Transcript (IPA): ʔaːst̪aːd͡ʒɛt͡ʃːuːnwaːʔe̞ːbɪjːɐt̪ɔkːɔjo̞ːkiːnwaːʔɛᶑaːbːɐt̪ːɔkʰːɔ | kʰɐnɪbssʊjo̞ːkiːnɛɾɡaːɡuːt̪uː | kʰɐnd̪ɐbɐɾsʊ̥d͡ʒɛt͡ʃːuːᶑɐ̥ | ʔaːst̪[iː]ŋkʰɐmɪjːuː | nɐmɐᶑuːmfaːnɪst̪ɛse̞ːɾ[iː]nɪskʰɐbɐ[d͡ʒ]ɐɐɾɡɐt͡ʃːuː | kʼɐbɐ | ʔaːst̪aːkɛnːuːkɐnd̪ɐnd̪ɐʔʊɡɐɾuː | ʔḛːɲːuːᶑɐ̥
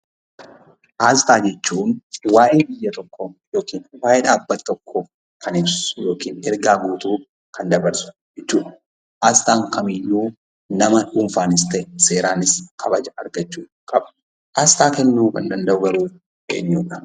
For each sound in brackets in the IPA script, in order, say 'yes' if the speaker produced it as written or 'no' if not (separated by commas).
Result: no, no, yes